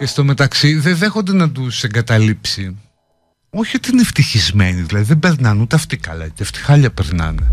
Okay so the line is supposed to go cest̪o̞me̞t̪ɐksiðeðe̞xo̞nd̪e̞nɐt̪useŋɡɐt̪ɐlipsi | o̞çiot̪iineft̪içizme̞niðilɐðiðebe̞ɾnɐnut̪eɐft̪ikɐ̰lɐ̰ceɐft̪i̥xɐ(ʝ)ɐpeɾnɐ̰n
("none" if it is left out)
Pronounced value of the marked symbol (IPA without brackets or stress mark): ʎ